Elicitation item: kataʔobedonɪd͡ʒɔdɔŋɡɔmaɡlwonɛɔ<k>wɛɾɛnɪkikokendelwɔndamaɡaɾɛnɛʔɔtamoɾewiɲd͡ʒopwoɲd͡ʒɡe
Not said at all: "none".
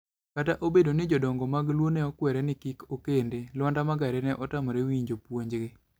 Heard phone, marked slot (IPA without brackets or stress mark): k